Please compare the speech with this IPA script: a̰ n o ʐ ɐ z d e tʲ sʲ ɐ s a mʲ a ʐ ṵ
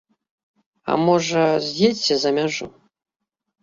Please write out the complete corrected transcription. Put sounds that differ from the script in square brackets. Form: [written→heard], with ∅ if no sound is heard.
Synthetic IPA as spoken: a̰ [n→m] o ʐ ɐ z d e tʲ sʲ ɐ [s→z] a mʲ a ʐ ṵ